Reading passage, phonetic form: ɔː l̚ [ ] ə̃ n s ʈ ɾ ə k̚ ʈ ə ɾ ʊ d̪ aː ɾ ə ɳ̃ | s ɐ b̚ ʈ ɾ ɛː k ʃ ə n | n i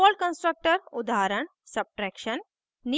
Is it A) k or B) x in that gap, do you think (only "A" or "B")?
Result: A